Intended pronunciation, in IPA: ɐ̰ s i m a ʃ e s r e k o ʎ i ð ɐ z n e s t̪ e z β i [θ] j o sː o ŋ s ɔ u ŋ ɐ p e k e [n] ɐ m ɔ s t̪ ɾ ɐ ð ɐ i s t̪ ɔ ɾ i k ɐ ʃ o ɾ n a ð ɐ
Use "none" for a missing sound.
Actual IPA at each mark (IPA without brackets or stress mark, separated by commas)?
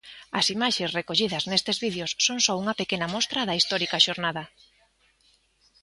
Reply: ð, n